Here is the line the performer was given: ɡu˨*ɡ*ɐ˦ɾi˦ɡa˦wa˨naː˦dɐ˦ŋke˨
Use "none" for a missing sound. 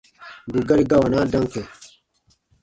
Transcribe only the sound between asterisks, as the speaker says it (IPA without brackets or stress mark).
ɡ